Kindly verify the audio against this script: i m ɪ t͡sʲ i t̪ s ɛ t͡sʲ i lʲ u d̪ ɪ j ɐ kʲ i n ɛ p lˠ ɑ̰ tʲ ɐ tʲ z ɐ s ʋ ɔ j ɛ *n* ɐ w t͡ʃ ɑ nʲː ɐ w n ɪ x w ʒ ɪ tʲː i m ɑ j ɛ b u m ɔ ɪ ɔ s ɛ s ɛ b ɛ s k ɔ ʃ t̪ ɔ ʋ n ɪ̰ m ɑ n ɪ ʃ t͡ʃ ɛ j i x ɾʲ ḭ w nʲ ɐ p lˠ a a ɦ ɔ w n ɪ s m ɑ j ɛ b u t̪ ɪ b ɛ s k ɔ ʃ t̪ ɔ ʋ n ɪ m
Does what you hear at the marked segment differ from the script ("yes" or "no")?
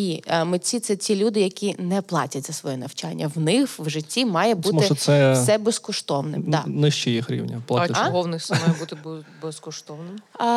no